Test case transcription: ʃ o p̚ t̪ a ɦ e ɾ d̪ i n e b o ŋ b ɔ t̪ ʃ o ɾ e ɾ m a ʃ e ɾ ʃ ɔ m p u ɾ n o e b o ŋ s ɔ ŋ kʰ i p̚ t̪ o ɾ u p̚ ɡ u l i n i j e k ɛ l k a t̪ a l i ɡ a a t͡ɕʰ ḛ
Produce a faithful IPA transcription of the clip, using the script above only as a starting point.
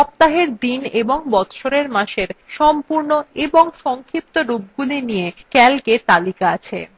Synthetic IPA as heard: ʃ ɔ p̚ t̪ a ɦ e ɾ d̪ i n e b o ŋ b ɔ t̪ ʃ o ɾ e ɾ m a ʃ e ɾ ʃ ɔ m p u ɾ n o e b o ŋ ʃ ɔ ŋ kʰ i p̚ t̪ o ɾ u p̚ ɡ u l i n i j e k ɛ l k e t̪ a l i k a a t͡ɕʰ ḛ